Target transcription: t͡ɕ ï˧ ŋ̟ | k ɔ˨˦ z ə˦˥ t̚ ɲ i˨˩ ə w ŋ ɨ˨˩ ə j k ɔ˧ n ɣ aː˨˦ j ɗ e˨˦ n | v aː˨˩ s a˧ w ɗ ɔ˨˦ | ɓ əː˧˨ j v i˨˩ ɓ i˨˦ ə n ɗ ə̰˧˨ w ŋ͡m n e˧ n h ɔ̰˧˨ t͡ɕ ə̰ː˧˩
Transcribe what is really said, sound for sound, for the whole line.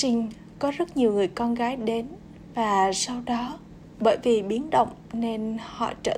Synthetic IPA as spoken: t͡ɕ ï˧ ŋ̟ | k ɔ˨˦ z ə˦˥ t̚ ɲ i˨˩ ə w ŋ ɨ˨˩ ə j k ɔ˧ n ɣ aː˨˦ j ɗ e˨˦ n | v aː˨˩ s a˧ w ɗ ɔ˨˦ | ɓ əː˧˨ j v i˨˩ ɓ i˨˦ ə n ɗ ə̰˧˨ w ŋ͡m n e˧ n h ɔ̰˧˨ t͡ɕ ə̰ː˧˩